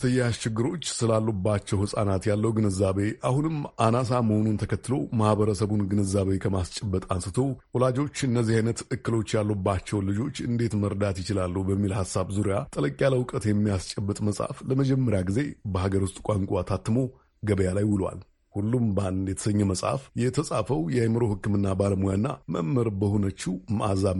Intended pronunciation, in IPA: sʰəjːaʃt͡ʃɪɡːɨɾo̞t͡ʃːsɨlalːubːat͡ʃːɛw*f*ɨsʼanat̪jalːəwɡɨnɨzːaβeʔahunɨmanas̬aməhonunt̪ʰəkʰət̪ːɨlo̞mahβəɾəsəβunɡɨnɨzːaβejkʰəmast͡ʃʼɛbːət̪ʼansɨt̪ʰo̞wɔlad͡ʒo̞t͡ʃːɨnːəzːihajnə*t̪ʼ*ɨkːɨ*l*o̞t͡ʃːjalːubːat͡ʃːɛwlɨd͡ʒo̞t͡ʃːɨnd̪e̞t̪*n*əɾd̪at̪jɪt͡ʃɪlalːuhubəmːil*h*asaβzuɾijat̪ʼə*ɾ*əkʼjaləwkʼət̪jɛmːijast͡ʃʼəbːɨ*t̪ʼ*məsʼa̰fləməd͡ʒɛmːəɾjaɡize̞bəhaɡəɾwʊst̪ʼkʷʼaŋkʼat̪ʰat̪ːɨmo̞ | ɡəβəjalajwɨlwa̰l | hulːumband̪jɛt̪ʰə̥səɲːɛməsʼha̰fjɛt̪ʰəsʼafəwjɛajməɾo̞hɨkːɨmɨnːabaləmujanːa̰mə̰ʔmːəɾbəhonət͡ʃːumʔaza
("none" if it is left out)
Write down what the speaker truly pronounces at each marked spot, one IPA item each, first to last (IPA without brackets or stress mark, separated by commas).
h, t̪, l, m, h, l, t̪ʼ